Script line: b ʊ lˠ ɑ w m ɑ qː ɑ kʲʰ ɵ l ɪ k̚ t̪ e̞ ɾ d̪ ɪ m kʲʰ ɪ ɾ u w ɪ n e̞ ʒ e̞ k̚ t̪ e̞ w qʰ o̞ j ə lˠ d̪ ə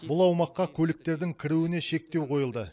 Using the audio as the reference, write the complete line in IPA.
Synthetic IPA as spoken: b ʊ lˠ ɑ w m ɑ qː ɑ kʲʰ ɵ l ɪ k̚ t̪ e̞ ɾ d̪ ɪ ŋ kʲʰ ɪ ɾ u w ɪ n e̞ ʃ e̞ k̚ t̪ e̞ w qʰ o̞ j ə lˠ d̪ ə